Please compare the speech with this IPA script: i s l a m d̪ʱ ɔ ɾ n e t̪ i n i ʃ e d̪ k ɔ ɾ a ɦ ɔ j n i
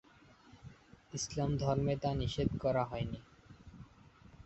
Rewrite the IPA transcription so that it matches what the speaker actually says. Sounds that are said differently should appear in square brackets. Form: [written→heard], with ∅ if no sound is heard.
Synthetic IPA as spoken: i s l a m d̪ʱ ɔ ɾ [n→m] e t̪ [i→a] n i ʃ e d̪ k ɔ ɾ a ɦ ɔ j n i